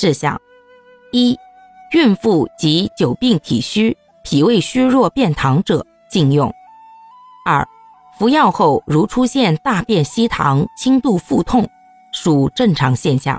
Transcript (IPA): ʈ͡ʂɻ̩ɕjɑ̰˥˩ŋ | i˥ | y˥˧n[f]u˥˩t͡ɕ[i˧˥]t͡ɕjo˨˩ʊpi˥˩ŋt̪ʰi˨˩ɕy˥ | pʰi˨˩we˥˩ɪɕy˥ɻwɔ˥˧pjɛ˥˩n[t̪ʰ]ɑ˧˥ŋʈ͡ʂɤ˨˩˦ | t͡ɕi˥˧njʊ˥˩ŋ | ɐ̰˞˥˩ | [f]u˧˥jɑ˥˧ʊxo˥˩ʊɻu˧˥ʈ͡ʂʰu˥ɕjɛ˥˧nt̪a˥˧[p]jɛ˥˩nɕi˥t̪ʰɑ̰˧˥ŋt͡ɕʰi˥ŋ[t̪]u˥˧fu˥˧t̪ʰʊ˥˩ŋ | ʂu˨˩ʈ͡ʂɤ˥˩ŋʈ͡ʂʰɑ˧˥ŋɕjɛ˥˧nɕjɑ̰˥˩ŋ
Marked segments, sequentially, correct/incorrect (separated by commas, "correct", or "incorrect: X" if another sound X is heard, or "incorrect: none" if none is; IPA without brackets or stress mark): correct, correct, correct, correct, correct, correct